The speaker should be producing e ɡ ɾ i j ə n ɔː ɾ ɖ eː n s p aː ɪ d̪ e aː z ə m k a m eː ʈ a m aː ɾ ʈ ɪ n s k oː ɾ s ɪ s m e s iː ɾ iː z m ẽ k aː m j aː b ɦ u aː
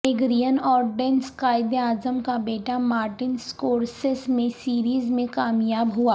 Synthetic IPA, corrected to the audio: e ɡ ɾ i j ə n ɔː ɾ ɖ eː n s k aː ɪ d̪ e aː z ə m k a b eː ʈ a m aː ɾ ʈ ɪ n s k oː ɾ s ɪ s m ẽ s iː ɾ iː z m ẽ k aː m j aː b ɦ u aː